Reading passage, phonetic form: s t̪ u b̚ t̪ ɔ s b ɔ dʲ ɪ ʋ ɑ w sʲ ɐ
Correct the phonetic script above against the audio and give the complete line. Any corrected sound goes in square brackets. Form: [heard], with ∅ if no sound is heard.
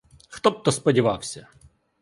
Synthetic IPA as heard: [x] t̪ [ɔ] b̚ t̪ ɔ s [p] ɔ dʲ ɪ ʋ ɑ w sʲ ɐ

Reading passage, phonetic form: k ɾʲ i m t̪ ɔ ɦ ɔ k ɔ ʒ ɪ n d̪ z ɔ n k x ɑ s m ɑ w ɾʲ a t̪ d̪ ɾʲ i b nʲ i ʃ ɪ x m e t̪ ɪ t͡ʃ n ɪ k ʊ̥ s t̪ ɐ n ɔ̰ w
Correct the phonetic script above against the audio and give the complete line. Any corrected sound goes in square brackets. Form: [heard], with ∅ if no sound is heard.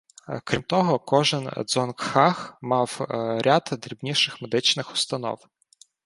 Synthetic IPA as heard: k ɾʲ i m t̪ ɔ ɦ ɔ k ɔ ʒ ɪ n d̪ z ɔ n k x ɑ [x] m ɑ w ɾʲ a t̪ d̪ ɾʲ i b nʲ i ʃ ɪ x m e [d̪] ɪ t͡ʃ n ɪ [x] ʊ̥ s t̪ ɐ n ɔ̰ w

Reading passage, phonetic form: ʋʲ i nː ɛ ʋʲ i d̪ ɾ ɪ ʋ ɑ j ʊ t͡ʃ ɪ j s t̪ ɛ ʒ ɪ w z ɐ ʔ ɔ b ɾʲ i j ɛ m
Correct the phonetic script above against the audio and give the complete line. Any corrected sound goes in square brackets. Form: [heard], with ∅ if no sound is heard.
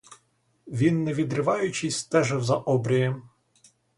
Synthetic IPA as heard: ʋʲ i nː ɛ ʋʲ i d̪ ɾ ɪ ʋ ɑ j ʊ t͡ʃ ɪ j s t̪ ɛ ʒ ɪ w z ɐ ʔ ɔ b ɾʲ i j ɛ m

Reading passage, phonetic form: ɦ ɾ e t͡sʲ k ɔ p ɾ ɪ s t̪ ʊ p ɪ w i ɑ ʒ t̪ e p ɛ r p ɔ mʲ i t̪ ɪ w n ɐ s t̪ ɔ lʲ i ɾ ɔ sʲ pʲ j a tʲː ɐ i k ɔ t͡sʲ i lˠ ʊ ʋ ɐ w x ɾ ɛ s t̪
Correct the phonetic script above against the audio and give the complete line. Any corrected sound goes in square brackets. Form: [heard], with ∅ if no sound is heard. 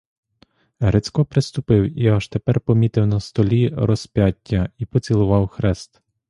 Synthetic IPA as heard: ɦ ɾ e t͡sʲ k ɔ p ɾ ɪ s t̪ ʊ p ɪ w i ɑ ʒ t̪ e p ɛ r p ɔ mʲ i t̪ ɪ w n ɐ s t̪ ɔ lʲ i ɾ ɔ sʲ pʲ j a tʲː ɐ i [p] ɔ t͡sʲ i lˠ ʊ ʋ [ɑ] w x ɾ ɛ s t̪

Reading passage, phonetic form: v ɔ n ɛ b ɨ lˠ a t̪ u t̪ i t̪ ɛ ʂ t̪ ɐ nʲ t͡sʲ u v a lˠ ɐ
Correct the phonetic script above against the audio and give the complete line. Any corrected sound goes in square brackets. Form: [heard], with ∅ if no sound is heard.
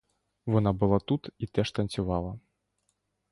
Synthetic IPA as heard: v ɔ n [a] b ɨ lˠ a t̪ u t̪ i t̪ ɛ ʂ t̪ ɐ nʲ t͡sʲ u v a lˠ ɐ

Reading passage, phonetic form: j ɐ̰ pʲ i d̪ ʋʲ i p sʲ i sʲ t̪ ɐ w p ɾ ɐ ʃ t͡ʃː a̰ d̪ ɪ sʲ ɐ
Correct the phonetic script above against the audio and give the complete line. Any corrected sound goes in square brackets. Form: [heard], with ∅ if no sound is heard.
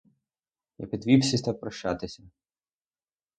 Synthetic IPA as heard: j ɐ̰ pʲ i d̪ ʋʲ i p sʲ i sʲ t̪ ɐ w p ɾ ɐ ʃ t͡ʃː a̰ [t̪] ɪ sʲ ɐ

